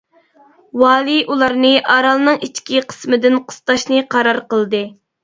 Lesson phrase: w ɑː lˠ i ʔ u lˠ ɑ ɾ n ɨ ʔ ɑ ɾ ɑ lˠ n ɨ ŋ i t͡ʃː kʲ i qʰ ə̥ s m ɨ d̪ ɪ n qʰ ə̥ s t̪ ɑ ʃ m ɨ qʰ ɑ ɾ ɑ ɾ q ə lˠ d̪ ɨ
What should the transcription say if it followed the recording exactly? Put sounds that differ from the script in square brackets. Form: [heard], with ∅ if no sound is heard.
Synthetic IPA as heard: w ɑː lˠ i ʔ u lˠ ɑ ɾ n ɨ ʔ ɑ ɾ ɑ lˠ n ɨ ŋ i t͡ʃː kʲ i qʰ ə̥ s m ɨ d̪ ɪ n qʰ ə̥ s t̪ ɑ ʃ [n] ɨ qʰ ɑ ɾ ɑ ɾ q ə lˠ d̪ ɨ

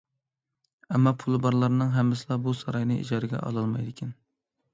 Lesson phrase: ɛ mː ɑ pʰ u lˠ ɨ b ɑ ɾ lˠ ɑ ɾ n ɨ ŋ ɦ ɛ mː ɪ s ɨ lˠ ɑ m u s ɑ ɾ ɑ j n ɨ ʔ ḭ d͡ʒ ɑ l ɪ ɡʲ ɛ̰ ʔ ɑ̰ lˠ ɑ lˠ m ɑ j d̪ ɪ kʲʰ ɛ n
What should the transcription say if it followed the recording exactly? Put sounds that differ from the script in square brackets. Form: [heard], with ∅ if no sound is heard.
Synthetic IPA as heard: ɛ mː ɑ pʰ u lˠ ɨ b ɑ ɾ lˠ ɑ ɾ n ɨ ŋ ɦ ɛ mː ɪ s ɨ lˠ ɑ [b] u s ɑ ɾ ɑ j n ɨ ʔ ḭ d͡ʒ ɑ [ɾ] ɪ ɡʲ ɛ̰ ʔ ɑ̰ lˠ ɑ lˠ m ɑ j d̪ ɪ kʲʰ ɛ n

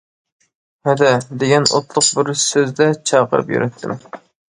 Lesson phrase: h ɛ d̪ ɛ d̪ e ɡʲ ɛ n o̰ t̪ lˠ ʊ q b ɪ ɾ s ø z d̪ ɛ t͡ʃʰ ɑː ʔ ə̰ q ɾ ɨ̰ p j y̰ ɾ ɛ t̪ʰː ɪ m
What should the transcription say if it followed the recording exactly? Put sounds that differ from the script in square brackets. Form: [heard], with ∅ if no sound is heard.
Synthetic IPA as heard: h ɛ d̪ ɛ d̪ e ɡʲ ɛ n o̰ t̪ lˠ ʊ q b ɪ ɾ s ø z d̪ ɛ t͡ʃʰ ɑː [q] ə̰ [∅] ɾ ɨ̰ p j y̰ ɾ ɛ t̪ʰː ɪ m

